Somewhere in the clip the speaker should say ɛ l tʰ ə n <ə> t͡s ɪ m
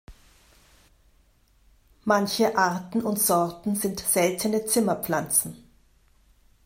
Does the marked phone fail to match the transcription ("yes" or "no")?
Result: no